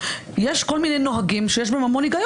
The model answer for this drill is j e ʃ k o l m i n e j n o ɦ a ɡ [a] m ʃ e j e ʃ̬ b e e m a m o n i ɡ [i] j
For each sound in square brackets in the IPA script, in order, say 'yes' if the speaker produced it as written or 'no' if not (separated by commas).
no, no